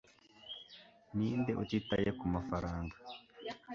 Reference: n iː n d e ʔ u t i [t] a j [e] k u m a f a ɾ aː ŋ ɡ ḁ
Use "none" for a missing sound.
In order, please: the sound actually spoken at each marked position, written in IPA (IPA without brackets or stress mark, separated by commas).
t, e